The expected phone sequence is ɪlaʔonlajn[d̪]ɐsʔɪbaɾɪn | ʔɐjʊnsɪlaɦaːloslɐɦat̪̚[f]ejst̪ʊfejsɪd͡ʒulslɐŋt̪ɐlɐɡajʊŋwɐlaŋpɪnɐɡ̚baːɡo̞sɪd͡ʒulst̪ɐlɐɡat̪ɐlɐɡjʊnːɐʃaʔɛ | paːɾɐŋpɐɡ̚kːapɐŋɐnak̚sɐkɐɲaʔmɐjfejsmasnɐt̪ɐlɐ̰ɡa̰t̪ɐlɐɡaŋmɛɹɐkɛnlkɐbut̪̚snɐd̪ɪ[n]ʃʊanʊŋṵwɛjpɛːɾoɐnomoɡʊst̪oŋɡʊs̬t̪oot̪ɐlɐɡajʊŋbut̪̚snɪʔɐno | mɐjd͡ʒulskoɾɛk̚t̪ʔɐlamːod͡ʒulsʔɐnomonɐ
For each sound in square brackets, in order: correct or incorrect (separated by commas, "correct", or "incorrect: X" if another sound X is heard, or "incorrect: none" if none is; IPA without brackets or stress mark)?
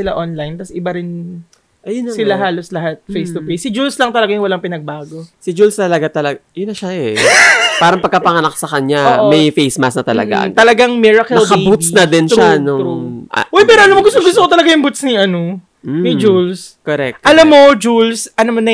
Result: incorrect: t̪, correct, correct